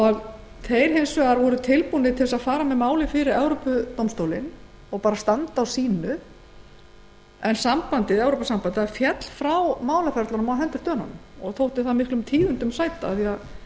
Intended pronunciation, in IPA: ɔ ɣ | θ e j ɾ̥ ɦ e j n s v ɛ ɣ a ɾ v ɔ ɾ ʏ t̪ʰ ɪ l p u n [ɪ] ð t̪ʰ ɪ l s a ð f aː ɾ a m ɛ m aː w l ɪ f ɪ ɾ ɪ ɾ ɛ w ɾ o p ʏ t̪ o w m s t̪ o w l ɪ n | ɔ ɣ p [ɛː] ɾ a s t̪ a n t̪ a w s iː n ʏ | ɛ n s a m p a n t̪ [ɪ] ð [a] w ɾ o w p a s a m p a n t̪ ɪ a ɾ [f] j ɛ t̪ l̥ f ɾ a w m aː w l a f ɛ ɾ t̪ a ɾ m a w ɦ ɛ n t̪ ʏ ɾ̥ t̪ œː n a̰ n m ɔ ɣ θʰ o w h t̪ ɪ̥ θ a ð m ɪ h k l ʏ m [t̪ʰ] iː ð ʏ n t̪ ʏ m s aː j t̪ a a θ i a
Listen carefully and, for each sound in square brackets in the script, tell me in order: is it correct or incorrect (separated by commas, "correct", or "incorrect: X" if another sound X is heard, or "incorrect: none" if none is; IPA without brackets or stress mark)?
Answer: correct, incorrect: aː, correct, incorrect: ɛ, correct, correct